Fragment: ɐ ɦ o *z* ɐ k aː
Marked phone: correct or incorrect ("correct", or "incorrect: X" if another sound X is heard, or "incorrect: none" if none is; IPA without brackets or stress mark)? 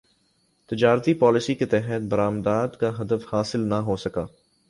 incorrect: s